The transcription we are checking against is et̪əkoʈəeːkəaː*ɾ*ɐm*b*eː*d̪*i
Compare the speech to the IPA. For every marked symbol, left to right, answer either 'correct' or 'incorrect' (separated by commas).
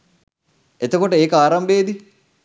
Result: correct, correct, correct